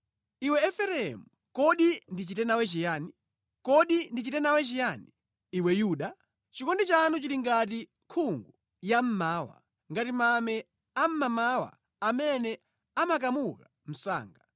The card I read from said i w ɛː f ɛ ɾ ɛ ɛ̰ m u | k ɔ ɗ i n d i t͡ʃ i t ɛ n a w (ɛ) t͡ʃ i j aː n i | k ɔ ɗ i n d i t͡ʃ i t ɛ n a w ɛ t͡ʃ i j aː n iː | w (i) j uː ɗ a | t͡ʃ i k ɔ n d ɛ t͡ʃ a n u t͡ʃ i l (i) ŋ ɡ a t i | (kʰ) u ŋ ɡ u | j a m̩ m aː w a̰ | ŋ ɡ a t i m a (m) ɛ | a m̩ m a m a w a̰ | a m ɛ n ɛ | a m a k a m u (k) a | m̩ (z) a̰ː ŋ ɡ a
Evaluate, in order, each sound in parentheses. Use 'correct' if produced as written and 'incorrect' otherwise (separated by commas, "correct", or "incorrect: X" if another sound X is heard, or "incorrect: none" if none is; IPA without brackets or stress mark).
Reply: correct, incorrect: ɛ, correct, correct, correct, correct, incorrect: s